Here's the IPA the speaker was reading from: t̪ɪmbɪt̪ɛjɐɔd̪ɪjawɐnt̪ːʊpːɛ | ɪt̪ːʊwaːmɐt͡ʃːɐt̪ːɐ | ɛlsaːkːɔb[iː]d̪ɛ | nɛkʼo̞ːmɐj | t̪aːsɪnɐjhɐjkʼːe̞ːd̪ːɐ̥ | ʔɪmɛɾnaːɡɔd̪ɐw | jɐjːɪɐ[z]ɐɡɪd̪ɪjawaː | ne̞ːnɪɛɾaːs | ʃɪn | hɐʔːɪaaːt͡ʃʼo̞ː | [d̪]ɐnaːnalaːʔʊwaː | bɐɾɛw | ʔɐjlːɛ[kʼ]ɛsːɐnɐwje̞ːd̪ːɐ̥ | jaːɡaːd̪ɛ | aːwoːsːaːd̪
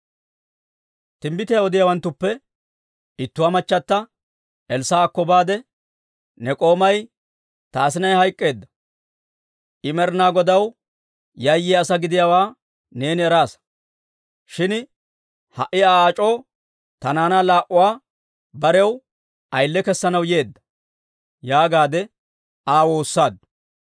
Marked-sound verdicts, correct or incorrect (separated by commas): incorrect, incorrect, incorrect, incorrect